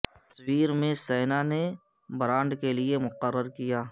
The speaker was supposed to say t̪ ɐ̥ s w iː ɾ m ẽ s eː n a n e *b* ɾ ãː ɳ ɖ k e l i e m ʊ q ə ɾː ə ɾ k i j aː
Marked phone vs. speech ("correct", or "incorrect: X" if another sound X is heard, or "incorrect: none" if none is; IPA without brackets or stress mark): correct